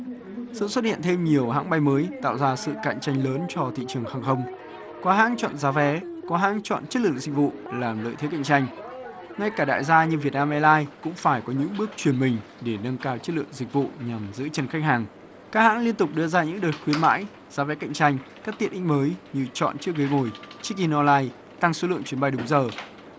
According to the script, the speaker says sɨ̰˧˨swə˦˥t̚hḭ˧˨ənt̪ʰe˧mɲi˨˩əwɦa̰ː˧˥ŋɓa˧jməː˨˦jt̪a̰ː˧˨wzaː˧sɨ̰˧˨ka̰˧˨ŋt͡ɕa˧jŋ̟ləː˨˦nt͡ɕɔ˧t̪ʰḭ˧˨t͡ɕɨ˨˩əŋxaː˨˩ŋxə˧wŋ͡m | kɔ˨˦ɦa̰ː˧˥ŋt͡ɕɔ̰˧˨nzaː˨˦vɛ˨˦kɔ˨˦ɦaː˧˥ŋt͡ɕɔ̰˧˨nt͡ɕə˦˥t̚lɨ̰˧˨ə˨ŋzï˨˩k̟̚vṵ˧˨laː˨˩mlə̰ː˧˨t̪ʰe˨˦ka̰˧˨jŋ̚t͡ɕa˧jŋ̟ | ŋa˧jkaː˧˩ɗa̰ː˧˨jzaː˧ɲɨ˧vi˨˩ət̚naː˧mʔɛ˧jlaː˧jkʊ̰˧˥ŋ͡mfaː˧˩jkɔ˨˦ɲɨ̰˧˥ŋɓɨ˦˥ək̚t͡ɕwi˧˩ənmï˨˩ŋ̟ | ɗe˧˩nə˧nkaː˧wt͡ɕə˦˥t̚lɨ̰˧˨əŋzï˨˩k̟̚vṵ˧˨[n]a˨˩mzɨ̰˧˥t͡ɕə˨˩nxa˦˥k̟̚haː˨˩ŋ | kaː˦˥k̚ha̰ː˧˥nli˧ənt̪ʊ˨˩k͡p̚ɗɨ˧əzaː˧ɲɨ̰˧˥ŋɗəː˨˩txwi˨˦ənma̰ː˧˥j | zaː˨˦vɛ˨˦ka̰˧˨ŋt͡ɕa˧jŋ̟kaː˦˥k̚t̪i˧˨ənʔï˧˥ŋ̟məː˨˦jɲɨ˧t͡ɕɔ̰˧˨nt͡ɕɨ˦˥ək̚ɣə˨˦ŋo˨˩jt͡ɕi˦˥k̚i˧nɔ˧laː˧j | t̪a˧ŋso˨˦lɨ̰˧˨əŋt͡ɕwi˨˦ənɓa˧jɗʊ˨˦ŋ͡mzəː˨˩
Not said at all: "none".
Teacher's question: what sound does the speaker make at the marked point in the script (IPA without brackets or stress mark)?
ɲ